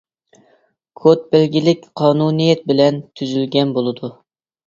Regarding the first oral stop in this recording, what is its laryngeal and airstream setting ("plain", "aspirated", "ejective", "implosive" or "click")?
aspirated